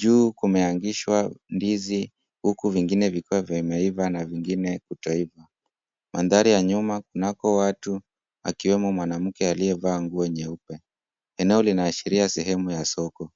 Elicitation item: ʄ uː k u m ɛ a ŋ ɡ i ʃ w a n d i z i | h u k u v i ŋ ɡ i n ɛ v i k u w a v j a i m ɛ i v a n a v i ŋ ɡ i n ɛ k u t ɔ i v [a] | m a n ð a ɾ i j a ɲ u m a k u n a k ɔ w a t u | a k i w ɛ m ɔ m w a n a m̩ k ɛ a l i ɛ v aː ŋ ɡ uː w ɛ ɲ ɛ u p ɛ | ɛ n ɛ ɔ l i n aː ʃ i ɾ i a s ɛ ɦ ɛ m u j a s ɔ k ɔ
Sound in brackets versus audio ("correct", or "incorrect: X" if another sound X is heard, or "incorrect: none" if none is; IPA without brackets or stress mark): correct